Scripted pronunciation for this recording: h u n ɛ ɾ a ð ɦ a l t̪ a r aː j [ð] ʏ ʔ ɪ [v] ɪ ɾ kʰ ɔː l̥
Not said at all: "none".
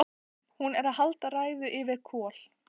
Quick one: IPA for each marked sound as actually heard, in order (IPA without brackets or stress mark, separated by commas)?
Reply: ð, v